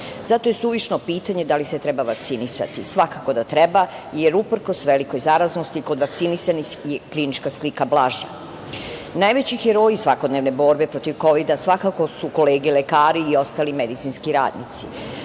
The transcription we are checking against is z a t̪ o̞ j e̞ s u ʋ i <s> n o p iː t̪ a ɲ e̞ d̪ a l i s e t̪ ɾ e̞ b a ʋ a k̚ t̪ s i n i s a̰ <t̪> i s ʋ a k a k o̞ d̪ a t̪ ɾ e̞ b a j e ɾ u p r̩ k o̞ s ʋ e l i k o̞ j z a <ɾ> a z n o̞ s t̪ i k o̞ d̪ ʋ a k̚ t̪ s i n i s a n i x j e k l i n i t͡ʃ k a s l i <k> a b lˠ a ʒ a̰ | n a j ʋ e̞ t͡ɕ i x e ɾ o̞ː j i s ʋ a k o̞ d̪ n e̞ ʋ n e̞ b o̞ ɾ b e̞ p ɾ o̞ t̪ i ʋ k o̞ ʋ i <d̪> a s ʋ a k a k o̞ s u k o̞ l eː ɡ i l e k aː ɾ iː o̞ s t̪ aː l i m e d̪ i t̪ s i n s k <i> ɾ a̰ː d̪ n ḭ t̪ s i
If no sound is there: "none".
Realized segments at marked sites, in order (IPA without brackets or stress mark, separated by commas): ʃ, t̪, ɾ, k, d̪, i